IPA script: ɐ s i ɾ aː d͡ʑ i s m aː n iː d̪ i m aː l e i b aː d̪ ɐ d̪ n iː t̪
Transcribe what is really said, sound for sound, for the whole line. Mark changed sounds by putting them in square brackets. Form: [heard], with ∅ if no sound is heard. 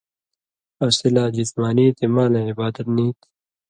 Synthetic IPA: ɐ s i [l] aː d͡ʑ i s m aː n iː [t̪] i m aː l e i b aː d̪ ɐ [t̪] n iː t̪